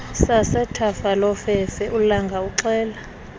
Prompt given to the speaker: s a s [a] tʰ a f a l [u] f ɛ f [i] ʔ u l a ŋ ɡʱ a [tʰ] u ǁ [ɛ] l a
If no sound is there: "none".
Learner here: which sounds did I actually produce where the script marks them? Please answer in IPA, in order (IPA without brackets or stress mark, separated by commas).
ɛ, ɔ, ɛ, none, ɛː